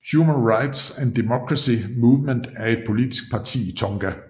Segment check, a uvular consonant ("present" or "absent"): present